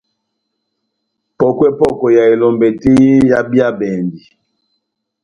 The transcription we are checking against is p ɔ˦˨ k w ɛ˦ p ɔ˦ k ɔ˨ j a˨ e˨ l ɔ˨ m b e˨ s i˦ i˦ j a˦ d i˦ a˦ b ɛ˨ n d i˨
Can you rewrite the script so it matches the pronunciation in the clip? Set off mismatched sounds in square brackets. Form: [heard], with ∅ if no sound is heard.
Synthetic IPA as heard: p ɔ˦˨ k w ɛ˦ p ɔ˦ k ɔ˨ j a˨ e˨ l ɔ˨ m b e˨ [t] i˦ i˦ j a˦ [b] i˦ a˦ b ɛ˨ n d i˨